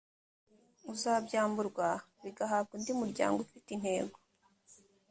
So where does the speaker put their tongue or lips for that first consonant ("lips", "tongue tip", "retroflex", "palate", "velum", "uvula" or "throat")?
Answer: tongue tip